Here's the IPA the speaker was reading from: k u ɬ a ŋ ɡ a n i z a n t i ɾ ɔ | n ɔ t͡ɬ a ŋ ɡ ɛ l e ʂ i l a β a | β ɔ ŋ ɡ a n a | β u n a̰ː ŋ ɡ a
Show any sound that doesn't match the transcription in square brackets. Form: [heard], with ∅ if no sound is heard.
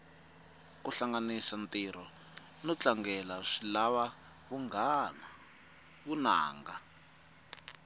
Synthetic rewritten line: k u ɬ a ŋ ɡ a n i [s] a n t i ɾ ɔ | n ɔ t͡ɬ a ŋ ɡ ɛ l [a] ʂ i l a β a | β [u] ŋ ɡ a n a | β u n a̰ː ŋ ɡ a